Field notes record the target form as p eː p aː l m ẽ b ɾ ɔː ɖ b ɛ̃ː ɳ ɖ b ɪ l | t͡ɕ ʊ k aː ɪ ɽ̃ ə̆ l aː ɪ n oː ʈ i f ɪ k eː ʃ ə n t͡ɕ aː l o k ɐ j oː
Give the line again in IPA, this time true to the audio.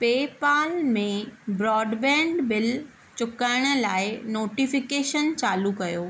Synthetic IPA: p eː p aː l m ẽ b ɾ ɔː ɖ b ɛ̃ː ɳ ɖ b ɪ l | t͡ɕ ʊ k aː ɪ ɽ̃ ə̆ l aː ɪ n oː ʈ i f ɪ k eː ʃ ə n t͡ɕ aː l u k ɐ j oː